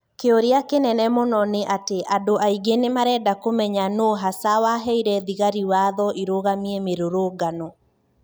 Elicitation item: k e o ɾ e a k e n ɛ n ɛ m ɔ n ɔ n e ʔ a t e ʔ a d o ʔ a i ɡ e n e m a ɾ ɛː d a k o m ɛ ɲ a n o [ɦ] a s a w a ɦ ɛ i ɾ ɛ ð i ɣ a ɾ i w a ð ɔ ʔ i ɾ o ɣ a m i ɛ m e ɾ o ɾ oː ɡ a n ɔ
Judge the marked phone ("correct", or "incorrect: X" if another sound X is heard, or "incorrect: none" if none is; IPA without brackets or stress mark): correct